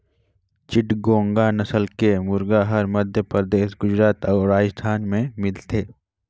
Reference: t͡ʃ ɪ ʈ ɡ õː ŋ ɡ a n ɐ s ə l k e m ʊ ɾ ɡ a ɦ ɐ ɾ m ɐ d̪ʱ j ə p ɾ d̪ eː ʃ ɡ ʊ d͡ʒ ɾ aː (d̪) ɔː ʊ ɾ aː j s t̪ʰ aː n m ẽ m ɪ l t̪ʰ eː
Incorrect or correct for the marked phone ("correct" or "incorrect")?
incorrect